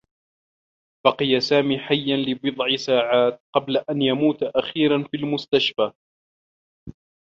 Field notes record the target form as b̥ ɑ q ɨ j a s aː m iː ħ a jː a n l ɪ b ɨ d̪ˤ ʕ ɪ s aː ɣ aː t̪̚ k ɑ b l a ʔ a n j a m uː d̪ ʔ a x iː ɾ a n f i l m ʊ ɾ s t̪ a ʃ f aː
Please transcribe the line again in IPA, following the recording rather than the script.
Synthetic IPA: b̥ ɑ q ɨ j a s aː m iː ħ a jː a n l ɪ b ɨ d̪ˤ ʕ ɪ s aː ʕ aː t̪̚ q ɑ b l a ʔ a n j a m uː t̪ ʔ a x iː ɾ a n f i l m ʊ s t̪ a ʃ f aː